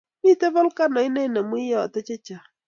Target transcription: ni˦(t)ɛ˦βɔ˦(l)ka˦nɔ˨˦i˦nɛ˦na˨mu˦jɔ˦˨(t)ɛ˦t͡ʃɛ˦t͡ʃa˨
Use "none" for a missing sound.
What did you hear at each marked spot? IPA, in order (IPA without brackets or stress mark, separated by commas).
t, l, t